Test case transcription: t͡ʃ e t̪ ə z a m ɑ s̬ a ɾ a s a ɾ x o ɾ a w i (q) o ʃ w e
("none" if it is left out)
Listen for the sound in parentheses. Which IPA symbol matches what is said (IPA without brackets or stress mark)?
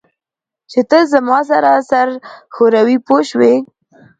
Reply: p